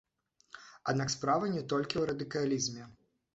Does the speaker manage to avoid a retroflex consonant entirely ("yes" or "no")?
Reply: yes